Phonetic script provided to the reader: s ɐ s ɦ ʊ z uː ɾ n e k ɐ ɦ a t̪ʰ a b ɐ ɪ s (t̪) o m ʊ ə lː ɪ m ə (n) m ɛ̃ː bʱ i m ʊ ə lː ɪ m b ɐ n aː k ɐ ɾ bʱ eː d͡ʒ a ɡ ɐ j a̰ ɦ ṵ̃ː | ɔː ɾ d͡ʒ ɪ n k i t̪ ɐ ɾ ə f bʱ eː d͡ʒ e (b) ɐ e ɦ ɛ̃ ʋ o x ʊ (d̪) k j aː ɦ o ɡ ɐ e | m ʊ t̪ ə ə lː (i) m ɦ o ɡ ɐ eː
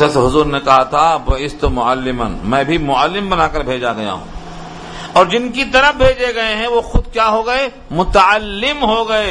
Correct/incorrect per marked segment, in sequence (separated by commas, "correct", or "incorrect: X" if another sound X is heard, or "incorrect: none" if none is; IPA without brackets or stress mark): correct, correct, incorrect: ɡ, correct, incorrect: ɪ